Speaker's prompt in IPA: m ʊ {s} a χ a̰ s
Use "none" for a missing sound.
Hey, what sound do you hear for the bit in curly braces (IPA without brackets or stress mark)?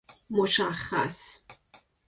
ʃ